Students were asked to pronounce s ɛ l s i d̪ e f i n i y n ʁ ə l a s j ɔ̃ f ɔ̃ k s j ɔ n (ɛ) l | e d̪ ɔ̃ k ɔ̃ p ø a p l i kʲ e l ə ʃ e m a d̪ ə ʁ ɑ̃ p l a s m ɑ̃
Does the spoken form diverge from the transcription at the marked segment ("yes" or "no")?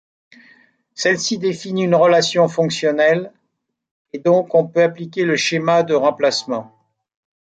no